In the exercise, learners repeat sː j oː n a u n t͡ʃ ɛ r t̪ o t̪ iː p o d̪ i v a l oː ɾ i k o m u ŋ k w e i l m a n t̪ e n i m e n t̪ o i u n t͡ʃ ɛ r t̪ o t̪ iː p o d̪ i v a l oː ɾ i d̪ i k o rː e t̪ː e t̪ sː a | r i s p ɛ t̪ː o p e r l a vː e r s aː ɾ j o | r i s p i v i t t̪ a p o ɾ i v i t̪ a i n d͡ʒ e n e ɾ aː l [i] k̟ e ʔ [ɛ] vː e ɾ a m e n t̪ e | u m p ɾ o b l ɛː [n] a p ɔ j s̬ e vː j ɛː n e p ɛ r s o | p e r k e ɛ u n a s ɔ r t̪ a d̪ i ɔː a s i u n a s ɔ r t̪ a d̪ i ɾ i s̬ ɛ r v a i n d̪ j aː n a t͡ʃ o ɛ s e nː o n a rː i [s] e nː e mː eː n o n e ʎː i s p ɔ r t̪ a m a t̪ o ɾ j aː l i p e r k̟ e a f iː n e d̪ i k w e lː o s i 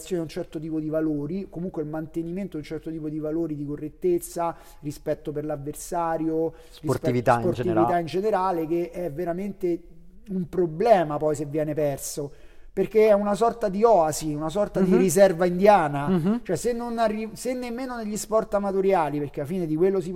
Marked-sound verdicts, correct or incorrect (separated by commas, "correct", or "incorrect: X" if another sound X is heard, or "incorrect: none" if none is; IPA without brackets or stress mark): incorrect: e, correct, incorrect: m, correct